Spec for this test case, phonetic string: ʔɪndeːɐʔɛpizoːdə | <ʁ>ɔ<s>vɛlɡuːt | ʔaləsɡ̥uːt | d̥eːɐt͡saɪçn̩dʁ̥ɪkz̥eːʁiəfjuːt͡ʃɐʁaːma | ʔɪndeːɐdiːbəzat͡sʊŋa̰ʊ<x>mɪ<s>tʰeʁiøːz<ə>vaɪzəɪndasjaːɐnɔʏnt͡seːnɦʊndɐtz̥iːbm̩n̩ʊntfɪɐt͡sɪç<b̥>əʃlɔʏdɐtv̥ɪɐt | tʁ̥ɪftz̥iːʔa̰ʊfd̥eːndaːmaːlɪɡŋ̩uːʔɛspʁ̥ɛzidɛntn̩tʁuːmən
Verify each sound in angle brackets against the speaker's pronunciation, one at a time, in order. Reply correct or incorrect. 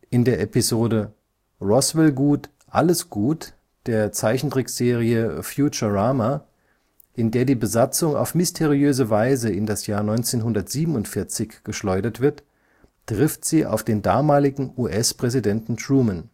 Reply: correct, correct, incorrect, correct, correct, incorrect

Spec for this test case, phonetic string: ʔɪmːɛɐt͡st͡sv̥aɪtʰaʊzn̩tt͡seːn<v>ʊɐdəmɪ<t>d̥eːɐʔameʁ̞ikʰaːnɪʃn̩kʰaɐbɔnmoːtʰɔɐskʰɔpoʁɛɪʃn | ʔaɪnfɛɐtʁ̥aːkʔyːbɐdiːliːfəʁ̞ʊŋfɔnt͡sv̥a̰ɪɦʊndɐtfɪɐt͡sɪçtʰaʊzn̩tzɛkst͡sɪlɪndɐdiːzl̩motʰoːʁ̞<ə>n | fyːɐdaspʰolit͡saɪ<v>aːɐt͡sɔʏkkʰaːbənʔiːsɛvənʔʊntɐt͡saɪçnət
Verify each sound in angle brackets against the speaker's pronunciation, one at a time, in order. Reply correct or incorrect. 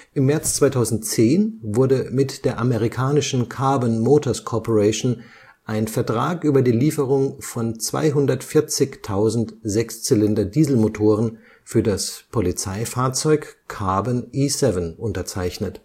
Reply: correct, correct, correct, incorrect

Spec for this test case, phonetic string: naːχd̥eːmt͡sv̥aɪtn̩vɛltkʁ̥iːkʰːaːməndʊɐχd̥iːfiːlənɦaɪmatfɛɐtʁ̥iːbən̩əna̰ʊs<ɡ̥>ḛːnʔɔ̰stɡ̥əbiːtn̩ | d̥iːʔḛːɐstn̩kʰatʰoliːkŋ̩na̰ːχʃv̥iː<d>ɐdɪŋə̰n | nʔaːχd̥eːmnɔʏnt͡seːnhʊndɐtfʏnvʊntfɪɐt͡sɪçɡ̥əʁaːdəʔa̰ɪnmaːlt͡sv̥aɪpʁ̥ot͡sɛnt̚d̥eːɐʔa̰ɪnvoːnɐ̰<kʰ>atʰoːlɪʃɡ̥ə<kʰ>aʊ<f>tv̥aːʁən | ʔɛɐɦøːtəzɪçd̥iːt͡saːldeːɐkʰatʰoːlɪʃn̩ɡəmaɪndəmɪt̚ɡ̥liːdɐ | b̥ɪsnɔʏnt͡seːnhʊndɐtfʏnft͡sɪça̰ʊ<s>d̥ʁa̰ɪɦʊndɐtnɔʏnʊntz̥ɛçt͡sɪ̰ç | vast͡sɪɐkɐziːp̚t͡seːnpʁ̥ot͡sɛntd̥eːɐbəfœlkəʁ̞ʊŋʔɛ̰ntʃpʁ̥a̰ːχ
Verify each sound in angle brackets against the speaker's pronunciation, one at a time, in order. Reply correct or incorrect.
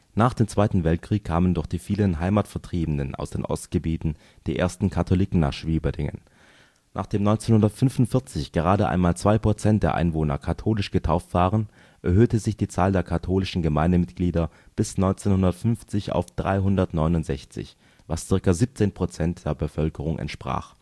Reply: incorrect, incorrect, correct, incorrect, correct, incorrect

